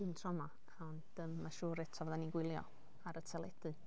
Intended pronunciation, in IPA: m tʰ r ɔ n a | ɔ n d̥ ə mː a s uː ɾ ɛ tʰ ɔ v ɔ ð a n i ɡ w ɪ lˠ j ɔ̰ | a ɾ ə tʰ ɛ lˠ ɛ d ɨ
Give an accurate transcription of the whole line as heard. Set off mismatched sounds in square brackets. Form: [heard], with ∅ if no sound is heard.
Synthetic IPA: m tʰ r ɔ [m] a | ɔ n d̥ ə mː a [ʃ] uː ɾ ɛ tʰ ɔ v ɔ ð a n i ɡ w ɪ lˠ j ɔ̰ | a ɾ ə tʰ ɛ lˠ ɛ d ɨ